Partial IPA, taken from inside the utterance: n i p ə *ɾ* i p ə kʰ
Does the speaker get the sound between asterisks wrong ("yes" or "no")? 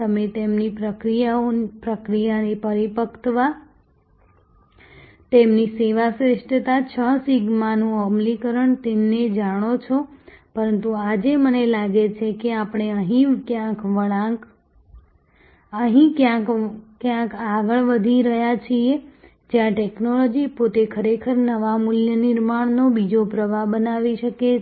no